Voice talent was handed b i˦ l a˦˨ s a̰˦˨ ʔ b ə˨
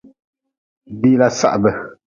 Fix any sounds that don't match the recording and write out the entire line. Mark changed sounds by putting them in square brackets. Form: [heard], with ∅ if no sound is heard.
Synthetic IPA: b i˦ l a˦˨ s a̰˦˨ ʔ b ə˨